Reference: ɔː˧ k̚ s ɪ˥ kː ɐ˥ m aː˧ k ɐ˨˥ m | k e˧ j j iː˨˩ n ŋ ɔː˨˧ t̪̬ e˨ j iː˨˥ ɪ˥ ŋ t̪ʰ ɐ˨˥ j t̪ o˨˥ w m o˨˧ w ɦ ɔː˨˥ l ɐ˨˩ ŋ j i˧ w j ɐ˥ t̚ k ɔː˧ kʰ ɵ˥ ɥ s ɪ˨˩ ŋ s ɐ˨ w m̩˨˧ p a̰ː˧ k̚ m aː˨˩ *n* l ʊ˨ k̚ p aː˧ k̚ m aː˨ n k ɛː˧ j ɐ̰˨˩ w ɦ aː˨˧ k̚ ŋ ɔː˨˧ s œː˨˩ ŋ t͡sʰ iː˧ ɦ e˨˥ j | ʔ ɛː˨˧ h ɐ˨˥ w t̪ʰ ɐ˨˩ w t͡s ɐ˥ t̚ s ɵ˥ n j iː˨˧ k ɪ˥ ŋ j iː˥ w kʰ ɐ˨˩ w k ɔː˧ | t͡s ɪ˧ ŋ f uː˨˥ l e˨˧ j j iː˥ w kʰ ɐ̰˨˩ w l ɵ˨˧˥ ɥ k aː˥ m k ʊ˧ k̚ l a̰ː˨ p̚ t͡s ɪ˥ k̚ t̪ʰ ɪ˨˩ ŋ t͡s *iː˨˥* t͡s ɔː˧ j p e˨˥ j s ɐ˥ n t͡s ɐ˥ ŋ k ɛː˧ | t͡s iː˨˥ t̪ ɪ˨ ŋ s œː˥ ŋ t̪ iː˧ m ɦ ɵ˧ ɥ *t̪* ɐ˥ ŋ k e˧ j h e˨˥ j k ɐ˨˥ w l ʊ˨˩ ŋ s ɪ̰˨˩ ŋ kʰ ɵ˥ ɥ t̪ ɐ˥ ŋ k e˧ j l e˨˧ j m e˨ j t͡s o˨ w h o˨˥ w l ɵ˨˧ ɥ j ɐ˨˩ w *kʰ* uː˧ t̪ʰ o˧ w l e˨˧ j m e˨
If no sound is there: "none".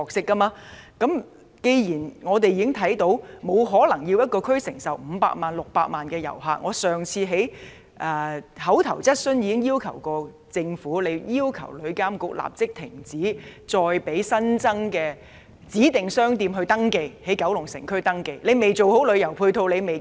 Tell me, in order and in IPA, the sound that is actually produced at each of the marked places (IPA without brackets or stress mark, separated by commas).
n, iː˨˥, t̪, pʰ